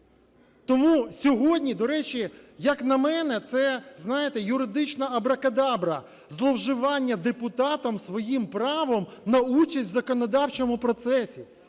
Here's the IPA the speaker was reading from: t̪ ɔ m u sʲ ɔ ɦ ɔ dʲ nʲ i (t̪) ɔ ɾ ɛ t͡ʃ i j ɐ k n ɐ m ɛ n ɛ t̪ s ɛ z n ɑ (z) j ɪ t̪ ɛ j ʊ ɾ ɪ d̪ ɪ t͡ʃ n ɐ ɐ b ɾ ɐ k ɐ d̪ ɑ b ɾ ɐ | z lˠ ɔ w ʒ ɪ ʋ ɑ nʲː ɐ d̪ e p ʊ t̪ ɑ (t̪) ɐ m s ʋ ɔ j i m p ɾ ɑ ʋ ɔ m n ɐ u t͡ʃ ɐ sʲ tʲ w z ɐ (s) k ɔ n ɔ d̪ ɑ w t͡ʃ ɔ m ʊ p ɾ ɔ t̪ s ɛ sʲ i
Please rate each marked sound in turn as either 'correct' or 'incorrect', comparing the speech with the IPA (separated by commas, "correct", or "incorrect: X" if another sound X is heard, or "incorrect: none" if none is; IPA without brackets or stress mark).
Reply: incorrect: d̪, incorrect: none, correct, incorrect: none